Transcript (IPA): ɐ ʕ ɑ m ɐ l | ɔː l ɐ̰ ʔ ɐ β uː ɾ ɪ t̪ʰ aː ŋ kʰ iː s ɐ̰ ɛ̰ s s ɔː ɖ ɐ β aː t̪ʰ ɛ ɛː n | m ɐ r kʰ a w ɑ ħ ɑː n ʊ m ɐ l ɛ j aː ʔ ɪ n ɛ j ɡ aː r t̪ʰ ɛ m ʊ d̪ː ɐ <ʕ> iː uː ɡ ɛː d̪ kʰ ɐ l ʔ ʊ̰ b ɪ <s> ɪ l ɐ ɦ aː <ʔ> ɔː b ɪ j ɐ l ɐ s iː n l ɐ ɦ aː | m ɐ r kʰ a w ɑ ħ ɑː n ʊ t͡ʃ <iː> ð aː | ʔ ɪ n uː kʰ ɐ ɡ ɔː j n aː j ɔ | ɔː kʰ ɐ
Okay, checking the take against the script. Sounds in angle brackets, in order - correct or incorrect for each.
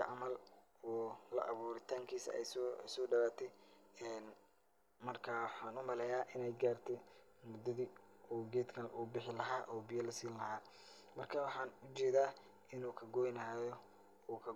incorrect: ð, incorrect: ħ, correct, incorrect: ɛː

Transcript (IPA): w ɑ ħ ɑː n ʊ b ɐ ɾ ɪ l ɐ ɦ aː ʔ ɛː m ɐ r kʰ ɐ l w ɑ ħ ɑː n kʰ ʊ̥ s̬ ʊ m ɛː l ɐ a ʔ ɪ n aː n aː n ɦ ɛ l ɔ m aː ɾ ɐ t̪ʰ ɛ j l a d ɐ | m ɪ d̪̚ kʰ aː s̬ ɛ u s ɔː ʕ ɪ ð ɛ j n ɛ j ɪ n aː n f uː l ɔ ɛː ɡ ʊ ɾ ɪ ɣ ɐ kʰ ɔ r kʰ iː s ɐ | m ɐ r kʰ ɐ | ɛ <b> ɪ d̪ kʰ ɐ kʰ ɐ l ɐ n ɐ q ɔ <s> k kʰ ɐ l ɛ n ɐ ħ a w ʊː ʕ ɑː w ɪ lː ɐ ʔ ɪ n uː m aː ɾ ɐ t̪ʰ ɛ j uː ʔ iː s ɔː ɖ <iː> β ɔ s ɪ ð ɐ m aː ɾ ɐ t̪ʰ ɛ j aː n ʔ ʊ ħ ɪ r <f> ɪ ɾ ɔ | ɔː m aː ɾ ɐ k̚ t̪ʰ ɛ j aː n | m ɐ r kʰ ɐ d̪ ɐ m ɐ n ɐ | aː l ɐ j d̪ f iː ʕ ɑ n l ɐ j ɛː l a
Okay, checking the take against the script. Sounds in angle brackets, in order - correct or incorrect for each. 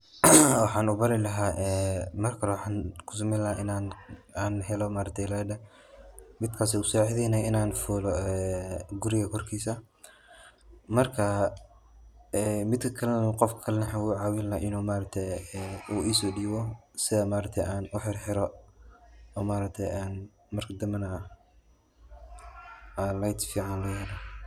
incorrect: m, incorrect: f, correct, incorrect: ħ

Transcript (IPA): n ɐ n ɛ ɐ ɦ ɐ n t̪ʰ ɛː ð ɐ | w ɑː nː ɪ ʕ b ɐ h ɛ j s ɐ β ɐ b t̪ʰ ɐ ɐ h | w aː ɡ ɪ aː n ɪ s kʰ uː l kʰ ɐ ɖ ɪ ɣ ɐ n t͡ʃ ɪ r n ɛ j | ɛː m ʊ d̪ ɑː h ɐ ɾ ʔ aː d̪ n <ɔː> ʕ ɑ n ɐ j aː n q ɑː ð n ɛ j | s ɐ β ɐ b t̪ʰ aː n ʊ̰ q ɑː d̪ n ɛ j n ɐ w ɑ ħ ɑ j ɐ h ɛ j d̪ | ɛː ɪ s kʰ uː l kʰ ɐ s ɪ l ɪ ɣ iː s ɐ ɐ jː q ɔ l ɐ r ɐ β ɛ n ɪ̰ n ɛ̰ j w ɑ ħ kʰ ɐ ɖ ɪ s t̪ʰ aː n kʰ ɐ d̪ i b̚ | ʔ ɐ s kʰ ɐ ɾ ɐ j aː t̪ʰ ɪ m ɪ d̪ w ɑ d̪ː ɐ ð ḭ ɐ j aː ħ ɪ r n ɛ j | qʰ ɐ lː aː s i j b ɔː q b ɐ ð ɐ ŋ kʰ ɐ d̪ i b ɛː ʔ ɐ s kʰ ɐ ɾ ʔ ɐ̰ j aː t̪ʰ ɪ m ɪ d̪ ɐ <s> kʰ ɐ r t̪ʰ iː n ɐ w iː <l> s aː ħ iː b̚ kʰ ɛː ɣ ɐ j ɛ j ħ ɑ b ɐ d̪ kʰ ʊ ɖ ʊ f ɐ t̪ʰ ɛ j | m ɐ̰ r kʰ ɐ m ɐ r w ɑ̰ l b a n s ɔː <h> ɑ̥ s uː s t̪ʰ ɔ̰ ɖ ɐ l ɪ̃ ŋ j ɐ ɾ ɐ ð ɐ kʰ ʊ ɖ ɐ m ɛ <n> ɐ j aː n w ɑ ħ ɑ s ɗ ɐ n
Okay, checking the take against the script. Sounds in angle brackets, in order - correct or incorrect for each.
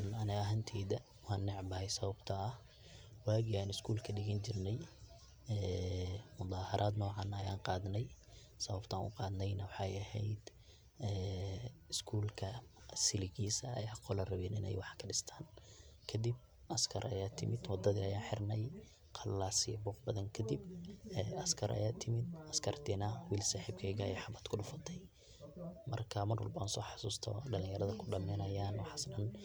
correct, correct, correct, incorrect: ħ, correct

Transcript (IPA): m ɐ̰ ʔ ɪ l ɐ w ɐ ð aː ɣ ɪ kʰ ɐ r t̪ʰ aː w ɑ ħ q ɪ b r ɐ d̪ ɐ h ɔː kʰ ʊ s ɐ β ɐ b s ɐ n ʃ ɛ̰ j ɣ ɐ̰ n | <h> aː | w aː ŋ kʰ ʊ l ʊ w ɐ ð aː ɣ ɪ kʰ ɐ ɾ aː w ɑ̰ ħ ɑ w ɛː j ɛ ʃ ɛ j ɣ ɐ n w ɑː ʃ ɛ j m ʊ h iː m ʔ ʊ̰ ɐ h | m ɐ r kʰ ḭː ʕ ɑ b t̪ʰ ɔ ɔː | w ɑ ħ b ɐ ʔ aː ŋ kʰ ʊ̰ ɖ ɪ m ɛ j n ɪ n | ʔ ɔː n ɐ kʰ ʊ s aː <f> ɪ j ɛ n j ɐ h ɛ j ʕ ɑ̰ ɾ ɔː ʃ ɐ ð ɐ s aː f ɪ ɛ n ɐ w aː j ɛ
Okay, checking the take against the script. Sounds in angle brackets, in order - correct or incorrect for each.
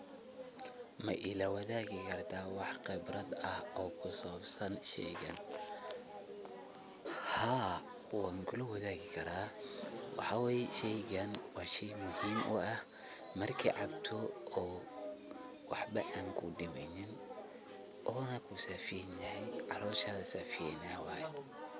correct, correct

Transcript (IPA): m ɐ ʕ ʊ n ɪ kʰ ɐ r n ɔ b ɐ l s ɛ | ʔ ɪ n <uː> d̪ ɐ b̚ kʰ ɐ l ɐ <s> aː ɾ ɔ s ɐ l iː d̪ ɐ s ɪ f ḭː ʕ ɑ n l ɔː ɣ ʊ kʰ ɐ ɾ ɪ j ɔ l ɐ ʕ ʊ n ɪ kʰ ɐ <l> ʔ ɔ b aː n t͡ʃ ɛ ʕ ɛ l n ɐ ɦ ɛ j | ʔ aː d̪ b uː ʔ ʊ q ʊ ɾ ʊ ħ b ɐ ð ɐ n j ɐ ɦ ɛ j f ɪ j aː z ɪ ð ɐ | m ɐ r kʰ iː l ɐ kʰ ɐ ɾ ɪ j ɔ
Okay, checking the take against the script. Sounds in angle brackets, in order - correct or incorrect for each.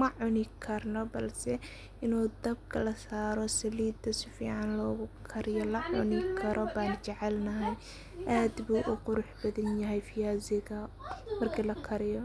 correct, correct, incorrect: ɾ

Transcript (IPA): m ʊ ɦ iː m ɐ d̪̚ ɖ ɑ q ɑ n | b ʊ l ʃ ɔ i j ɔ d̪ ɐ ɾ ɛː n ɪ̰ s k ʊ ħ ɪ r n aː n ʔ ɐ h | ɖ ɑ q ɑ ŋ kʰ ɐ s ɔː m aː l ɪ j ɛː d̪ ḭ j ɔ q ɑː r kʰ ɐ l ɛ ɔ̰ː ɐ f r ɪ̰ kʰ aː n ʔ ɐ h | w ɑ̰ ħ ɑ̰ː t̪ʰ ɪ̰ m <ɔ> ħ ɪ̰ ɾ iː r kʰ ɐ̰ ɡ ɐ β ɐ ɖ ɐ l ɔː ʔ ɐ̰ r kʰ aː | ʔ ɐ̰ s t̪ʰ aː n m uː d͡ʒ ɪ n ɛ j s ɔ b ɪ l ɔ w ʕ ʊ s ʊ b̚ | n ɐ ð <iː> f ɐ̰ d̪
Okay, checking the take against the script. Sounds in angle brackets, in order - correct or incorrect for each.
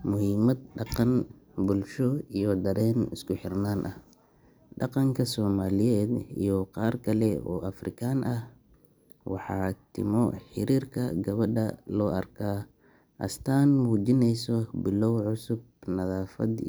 correct, incorrect: aː

